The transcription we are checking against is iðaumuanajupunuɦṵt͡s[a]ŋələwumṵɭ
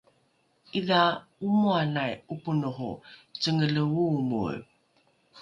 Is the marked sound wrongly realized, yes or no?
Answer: yes